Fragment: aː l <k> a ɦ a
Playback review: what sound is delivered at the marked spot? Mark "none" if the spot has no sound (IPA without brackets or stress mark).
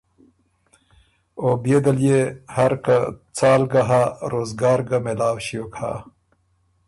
ɡ